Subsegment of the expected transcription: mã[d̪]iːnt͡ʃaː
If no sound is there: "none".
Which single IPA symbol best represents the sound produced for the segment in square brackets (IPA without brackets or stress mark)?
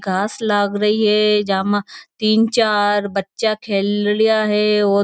t̪